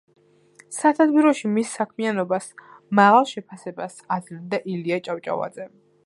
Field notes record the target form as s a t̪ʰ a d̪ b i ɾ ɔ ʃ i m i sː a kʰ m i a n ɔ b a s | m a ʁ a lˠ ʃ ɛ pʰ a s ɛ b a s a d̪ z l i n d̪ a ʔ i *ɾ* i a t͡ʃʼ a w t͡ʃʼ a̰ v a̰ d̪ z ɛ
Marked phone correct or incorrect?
incorrect